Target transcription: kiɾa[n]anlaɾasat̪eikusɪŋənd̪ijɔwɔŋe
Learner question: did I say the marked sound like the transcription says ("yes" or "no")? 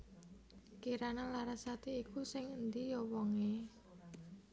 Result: yes